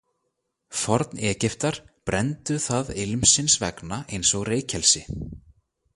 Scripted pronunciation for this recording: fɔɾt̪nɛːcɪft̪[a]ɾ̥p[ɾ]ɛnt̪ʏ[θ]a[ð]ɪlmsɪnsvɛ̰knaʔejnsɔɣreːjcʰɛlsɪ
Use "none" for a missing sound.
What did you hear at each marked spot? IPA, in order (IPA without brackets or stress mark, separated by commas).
a, ɾ, θ, ð